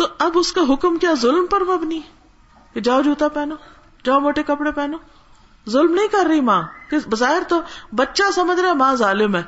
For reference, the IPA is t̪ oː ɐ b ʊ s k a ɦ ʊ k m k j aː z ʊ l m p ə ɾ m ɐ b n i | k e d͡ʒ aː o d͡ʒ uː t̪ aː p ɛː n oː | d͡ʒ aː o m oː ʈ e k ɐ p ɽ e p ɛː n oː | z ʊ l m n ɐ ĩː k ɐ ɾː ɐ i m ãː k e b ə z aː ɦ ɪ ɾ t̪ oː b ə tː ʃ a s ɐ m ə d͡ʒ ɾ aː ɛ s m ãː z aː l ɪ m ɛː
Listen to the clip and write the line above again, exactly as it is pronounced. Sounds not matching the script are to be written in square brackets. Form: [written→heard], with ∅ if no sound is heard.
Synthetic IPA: t̪ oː ɐ b ʊ s k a ɦ ʊ k m k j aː z ʊ l m p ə ɾ m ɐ b n i | k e d͡ʒ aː o d͡ʒ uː t̪ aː p ɛː n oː | d͡ʒ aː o m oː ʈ e k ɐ p ɽ e p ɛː n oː | z ʊ l m n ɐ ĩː k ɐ ɾː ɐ i m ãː k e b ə z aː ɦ ɪ ɾ t̪ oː b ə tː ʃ a s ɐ m ə d͡ʒ ɾ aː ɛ [s→∅] m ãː z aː l ɪ m ɛː